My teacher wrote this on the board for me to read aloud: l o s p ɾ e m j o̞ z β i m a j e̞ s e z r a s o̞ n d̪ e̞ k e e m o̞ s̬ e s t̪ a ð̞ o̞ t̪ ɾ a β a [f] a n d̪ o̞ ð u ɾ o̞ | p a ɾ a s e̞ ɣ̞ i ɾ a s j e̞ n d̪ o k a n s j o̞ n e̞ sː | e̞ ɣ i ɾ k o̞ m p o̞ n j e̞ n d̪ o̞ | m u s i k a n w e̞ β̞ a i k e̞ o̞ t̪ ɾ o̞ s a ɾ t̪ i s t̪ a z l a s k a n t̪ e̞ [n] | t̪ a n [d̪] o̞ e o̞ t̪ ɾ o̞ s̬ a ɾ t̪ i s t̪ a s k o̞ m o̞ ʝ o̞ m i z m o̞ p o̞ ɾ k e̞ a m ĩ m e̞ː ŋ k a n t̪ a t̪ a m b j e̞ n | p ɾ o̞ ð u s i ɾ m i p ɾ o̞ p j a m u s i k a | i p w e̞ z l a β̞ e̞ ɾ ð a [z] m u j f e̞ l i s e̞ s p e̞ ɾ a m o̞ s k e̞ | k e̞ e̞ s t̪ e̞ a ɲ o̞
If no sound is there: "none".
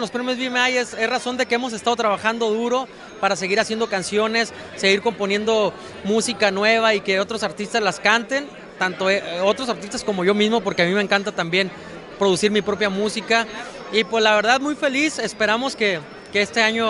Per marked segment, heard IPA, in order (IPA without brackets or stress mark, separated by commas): x, n, t̪, ð